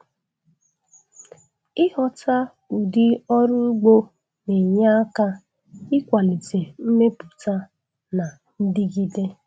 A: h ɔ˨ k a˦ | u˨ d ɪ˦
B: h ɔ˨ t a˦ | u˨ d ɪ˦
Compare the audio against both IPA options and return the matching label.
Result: B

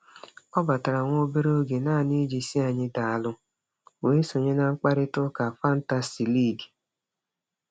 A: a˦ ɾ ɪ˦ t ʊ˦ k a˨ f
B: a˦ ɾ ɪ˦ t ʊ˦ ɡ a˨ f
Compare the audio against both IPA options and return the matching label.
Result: A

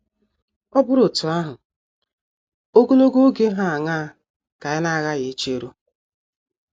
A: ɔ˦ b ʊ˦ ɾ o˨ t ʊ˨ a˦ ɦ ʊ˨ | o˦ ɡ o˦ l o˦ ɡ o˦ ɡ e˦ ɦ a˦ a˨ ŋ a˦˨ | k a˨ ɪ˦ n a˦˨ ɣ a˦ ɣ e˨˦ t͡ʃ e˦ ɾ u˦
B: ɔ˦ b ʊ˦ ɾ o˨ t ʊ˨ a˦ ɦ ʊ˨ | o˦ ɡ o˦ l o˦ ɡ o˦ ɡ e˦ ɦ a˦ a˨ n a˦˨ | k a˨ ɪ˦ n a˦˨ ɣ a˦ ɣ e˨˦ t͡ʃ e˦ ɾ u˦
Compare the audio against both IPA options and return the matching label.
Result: A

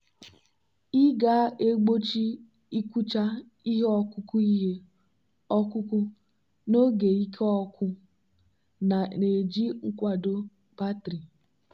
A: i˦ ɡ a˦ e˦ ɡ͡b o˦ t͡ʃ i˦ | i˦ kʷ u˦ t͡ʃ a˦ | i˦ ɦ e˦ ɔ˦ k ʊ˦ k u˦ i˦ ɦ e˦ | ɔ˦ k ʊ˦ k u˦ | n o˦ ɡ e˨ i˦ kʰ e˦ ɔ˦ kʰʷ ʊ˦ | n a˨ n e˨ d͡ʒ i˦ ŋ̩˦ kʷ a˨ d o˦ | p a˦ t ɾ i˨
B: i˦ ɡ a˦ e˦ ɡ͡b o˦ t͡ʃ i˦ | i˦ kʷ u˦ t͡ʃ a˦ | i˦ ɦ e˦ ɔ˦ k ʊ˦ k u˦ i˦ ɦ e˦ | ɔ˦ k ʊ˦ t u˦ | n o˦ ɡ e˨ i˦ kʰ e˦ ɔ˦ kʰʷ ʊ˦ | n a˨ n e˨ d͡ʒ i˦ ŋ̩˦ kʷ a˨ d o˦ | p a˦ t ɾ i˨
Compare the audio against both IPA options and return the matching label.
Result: A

